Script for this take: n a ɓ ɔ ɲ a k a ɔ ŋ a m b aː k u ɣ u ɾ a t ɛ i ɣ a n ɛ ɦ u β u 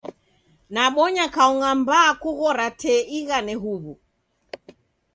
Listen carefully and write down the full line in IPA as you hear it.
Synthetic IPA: n a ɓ ɔ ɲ a k a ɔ ŋ a m b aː k u ɣ ɔ ɾ a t ɛ i ɣ a n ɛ ɦ u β u